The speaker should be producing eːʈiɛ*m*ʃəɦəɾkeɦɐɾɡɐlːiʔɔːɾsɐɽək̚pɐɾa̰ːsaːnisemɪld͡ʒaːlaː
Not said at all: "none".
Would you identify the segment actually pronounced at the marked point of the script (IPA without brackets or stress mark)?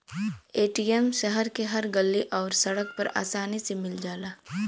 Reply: m